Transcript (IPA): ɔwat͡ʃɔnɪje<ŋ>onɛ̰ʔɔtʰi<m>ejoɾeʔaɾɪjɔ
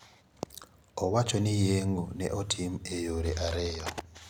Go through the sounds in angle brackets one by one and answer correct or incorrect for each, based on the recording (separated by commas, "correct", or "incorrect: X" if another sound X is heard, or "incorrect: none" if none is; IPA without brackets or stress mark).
correct, correct